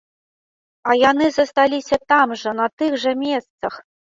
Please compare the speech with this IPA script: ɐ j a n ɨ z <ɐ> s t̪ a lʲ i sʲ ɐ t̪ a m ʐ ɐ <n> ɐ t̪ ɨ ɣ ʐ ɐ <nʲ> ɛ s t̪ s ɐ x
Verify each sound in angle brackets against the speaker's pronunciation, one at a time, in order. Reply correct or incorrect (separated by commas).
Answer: correct, correct, incorrect